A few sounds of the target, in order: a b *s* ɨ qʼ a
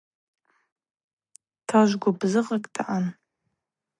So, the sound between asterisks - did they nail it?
no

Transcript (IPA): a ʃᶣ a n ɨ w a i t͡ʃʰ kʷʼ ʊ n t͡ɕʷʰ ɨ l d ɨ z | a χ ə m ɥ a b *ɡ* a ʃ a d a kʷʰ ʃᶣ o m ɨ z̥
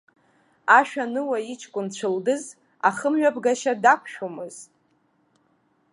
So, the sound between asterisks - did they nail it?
yes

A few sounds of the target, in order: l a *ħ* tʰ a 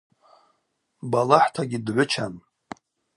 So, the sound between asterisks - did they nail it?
yes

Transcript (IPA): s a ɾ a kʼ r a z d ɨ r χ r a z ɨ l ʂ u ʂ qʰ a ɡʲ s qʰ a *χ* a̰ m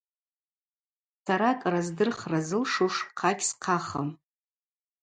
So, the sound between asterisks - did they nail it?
yes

